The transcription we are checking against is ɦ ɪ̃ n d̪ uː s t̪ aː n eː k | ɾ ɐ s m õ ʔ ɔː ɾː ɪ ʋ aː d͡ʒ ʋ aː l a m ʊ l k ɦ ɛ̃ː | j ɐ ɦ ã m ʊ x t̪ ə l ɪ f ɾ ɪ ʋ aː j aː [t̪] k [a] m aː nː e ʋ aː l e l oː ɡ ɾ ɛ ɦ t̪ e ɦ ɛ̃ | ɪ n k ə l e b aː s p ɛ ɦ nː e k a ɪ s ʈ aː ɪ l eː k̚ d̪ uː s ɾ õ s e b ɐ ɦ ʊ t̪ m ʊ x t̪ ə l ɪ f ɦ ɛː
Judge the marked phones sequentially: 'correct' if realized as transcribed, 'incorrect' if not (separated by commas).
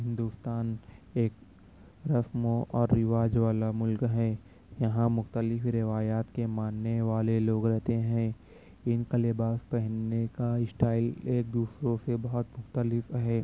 correct, incorrect